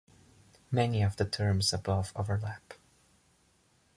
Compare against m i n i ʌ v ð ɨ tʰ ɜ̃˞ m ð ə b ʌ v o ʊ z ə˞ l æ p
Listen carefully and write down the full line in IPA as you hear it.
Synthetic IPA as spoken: m ɛ n i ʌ v ð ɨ tʰ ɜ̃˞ m z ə b ʌ v o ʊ v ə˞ l æ p